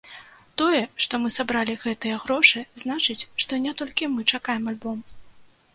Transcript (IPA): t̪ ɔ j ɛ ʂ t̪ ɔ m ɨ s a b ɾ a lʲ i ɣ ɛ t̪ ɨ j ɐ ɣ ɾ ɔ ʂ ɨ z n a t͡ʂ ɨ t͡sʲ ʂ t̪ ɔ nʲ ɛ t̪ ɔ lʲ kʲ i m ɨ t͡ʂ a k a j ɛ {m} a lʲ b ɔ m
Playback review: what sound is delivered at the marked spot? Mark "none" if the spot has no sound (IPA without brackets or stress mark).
m